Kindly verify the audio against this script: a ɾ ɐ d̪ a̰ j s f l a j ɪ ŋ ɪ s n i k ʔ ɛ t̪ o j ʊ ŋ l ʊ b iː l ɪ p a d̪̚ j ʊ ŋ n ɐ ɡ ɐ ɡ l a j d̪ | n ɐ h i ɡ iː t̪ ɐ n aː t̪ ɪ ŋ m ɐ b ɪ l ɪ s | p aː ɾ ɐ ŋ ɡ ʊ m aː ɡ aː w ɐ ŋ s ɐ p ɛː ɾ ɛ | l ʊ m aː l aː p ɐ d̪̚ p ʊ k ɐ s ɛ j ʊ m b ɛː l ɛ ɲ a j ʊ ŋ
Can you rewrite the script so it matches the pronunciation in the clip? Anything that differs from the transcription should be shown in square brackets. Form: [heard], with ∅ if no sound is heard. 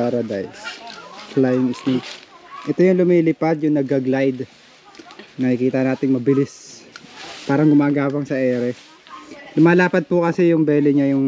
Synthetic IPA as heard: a ɾ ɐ d̪ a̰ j s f l a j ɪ ŋ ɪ s n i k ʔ ɛ t̪ o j ʊ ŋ l ʊ [m] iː l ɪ p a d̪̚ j ʊ ŋ n ɐ ɡ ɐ ɡ l a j d̪ | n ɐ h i [k] iː t̪ ɐ n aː t̪ ɪ ŋ m ɐ b ɪ l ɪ s | p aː ɾ ɐ ŋ ɡ ʊ m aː ɡ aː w ɐ ŋ s ɐ [ʔ] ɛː ɾ ɛ | l ʊ m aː l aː p ɐ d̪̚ p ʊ k ɐ s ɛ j ʊ [ŋ] b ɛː l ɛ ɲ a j ʊ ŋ